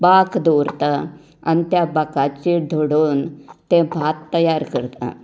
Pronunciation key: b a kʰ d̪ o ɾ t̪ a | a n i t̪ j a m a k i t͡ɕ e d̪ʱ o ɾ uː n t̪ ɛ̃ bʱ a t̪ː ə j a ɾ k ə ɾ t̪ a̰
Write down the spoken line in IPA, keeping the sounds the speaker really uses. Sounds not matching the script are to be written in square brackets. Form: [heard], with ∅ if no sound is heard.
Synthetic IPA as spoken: b a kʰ d̪ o ɾ t̪ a | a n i t̪ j a [b] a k [a] t͡ɕ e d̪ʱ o [ɽ] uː n t̪ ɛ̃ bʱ a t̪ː ə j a ɾ k ə ɾ t̪ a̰

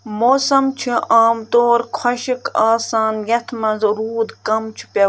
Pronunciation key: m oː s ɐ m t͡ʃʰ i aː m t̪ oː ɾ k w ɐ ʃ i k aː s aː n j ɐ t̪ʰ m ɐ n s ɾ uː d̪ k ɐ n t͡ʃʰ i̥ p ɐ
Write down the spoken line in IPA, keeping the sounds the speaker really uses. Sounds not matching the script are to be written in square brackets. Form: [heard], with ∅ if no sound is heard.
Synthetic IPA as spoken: m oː s ɐ m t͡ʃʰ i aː m t̪ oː ɾ [kʰ] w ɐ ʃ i k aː s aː n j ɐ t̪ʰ m ɐ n [z] ɾ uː d̪ k ɐ [m] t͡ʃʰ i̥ p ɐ

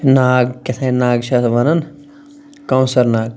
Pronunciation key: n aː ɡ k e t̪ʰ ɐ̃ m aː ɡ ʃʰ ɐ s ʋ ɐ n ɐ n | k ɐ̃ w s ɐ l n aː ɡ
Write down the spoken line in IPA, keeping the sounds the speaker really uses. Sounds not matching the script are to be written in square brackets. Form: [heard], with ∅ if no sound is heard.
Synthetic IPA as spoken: n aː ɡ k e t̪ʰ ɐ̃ [n] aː ɡ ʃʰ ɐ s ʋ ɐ n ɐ n | k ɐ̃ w s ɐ [ɾ] n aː ɡ

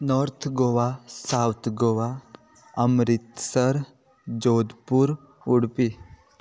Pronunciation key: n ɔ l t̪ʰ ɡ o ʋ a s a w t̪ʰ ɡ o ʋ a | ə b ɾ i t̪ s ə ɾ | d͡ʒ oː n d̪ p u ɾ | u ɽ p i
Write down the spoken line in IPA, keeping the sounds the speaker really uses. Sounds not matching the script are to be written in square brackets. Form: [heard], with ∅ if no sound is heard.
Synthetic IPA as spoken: n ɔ [ɾ] t̪ʰ ɡ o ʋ a s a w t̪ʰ ɡ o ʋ a | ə [m] ɾ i t̪ s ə ɾ | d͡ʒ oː [∅] d̪ p u ɾ | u ɽ p i

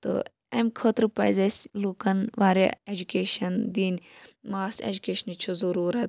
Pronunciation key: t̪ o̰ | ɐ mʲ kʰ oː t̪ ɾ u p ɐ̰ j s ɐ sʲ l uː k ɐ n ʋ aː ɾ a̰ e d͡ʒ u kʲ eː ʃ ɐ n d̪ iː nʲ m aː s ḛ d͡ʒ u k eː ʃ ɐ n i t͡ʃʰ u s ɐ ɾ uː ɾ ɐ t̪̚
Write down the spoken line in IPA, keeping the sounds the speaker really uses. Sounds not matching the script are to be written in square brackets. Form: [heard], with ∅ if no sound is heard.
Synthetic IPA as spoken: t̪ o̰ | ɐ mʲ kʰ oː t̪ ɾ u p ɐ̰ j [z] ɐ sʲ l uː k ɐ n ʋ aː ɾ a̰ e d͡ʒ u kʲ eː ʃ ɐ n d̪ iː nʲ m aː s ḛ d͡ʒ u k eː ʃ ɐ n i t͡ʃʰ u [z] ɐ ɾ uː ɾ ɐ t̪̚

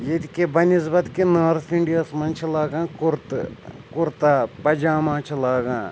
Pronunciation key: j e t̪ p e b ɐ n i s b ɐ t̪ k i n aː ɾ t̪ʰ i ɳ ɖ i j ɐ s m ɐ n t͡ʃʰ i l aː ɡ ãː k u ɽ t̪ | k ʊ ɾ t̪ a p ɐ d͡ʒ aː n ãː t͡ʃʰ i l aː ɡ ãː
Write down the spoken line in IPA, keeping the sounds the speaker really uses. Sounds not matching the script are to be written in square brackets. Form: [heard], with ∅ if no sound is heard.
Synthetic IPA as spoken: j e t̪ [k] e b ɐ n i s b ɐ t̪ k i n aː ɾ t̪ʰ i ɳ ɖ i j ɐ s m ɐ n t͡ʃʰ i l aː ɡ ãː k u [ɾ] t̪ | k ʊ ɾ t̪ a p ɐ d͡ʒ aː [m] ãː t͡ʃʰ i l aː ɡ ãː

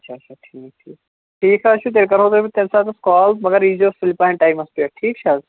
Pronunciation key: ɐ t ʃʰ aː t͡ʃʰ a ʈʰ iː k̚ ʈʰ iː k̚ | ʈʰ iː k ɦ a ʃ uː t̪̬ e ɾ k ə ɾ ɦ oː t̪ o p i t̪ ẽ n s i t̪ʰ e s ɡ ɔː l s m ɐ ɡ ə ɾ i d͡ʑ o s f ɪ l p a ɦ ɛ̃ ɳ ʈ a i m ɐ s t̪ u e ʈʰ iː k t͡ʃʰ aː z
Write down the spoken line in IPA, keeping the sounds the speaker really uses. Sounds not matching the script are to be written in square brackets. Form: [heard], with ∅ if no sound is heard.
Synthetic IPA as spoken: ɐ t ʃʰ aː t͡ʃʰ a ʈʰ iː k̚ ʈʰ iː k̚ | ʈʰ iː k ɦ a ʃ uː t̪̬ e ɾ k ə ɾ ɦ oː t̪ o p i t̪ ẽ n s [a] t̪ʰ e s [k] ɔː l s m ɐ ɡ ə ɾ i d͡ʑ o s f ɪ l p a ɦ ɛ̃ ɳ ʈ a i m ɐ s t̪ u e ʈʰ iː k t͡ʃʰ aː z

